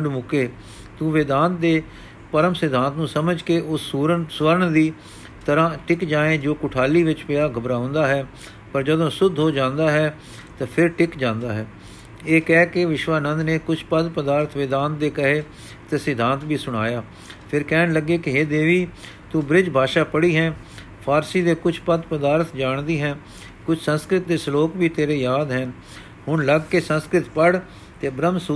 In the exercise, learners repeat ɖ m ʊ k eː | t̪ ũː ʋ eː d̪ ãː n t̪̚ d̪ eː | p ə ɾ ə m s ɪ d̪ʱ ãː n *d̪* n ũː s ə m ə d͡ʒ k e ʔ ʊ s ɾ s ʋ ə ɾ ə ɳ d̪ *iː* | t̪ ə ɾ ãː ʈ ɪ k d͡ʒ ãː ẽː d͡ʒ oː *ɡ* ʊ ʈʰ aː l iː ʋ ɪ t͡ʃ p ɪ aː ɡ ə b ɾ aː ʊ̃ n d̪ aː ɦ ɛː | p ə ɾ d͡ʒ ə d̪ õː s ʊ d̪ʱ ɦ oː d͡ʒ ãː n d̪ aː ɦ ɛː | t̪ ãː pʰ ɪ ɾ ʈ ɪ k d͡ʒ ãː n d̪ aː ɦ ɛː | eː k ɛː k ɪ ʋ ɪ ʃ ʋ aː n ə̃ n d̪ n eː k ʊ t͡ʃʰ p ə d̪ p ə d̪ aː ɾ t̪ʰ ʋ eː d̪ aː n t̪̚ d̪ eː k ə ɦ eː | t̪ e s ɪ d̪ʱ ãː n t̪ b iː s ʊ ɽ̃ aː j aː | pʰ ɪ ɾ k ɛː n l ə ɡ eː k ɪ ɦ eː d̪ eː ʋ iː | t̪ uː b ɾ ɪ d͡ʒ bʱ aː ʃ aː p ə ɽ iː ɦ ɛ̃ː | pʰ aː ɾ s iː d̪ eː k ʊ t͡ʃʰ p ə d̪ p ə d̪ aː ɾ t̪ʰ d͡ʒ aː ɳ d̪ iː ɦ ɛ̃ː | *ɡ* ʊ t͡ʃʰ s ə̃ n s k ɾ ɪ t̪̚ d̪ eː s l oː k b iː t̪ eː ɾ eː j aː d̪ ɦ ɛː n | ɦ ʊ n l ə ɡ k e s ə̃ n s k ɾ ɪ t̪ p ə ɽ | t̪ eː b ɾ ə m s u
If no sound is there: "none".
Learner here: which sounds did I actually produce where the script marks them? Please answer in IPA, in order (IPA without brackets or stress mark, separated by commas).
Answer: t̪, iː, k, k